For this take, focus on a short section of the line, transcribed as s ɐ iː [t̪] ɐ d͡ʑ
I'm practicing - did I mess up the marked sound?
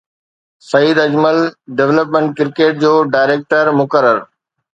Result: yes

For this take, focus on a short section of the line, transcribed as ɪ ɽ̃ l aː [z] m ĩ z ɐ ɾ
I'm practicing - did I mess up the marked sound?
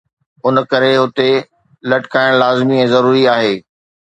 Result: no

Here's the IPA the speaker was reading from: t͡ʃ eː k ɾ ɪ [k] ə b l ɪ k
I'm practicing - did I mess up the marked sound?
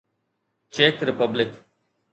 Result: yes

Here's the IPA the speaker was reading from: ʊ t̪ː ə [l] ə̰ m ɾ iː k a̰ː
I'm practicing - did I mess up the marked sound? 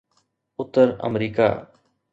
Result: yes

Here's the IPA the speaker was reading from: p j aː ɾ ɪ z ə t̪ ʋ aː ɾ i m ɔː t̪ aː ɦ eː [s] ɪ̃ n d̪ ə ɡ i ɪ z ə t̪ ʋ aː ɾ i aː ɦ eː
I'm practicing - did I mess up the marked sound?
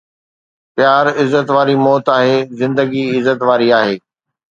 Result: yes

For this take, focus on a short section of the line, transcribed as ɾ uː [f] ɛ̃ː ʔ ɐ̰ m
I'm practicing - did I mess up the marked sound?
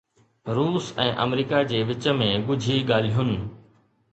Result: yes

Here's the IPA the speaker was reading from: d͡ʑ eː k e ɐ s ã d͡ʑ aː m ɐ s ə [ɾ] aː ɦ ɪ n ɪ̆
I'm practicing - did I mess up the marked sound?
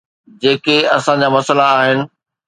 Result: yes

